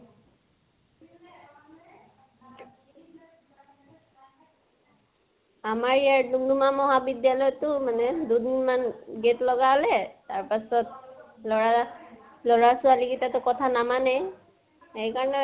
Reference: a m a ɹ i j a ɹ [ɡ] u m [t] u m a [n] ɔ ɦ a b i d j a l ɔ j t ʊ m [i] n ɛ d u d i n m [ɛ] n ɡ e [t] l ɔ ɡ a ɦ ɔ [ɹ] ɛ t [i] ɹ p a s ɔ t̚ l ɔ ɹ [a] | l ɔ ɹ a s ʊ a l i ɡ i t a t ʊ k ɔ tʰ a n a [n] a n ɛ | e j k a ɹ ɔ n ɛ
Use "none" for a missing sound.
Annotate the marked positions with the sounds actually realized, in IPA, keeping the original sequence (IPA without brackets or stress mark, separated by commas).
d, d, m, a, a, t, l, a, a, m